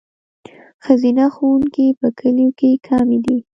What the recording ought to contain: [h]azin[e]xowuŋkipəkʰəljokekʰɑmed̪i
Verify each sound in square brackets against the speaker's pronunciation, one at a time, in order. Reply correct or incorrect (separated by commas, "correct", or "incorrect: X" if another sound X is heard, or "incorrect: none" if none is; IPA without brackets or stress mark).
incorrect: x, incorrect: a